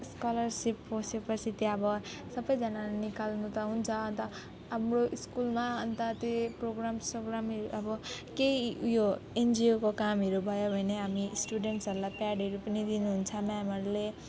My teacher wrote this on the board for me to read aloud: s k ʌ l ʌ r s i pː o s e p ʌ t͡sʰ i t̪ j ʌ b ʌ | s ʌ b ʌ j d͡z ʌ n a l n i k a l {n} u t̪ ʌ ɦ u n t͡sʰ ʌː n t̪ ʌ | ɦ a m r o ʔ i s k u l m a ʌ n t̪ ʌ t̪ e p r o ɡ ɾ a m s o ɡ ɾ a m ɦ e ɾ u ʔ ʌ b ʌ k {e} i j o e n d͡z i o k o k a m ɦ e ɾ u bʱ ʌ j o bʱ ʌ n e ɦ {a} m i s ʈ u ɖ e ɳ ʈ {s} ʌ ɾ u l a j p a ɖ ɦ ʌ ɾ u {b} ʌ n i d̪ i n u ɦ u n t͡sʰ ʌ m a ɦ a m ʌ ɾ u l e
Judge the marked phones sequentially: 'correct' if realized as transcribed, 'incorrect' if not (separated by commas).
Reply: correct, correct, correct, correct, incorrect